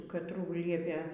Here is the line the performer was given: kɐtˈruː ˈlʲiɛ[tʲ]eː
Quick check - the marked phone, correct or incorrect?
incorrect